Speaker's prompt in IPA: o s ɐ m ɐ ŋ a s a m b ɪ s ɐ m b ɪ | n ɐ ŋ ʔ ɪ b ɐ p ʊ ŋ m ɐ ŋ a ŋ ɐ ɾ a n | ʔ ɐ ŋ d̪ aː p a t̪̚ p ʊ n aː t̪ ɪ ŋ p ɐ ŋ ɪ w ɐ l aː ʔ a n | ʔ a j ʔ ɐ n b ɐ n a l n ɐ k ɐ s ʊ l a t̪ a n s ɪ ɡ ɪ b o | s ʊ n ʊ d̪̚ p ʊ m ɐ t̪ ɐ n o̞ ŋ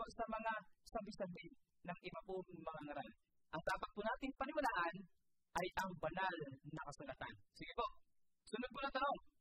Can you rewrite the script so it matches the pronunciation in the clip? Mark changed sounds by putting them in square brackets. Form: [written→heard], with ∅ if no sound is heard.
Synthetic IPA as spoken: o s ɐ m ɐ ŋ a s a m b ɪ s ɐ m b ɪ | n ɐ ŋ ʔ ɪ b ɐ p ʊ ŋ m ɐ ŋ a ŋ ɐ ɾ a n | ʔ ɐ ŋ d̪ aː p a t̪̚ p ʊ n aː t̪ ɪ ŋ p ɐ [ŋ→n] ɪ w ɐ l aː ʔ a n | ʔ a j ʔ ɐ [n→ŋ] b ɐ n a l n ɐ k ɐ s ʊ l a t̪ a n s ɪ ɡ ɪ [b→p] o | s ʊ n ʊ d̪̚ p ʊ [m→n] ɐ t̪ ɐ n o̞ ŋ